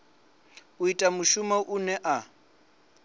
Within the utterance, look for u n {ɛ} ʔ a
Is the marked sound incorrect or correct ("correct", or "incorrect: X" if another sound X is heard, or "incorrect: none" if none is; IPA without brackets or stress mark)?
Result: correct